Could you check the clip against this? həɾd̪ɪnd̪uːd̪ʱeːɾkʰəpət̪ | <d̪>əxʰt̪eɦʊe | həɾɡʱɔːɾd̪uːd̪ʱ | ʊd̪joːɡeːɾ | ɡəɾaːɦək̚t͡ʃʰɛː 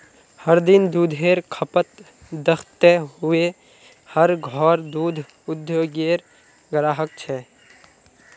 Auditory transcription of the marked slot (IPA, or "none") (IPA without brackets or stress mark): d̪